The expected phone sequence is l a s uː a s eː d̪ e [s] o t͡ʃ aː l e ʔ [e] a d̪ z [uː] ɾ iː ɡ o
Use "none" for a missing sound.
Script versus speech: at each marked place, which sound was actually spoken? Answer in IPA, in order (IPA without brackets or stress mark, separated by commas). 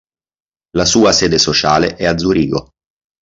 s, ɛ, u